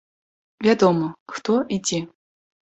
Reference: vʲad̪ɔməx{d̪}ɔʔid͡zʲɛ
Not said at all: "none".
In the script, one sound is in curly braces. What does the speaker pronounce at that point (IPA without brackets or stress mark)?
t̪